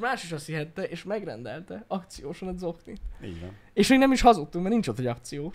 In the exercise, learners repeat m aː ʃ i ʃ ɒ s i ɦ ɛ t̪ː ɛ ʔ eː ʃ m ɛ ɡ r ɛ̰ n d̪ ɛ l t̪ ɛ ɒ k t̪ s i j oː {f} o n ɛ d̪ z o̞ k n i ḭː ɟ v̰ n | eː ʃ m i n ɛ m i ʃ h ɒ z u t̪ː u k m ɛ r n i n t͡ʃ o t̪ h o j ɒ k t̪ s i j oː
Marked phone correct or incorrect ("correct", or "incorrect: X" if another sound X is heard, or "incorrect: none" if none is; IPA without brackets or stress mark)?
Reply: incorrect: ʃ